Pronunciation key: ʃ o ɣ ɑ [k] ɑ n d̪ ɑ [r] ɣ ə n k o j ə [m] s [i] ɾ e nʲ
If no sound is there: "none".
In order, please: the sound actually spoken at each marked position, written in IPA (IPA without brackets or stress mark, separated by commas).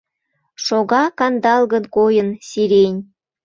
k, l, n, i